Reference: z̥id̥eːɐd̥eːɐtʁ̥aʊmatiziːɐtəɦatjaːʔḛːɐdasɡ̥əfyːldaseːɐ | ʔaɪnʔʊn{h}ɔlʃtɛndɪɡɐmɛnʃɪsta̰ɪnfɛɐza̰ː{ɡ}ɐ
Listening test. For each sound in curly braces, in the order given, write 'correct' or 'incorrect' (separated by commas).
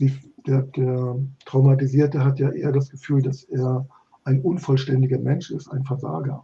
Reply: incorrect, correct